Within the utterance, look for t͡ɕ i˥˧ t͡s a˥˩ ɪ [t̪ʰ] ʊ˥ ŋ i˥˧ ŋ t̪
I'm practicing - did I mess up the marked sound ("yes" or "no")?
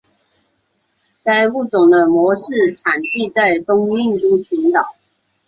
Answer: yes